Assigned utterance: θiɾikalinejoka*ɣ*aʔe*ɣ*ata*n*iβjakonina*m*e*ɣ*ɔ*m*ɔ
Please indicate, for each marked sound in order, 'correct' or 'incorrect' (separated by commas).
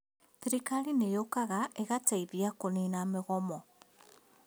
correct, correct, incorrect, correct, correct, correct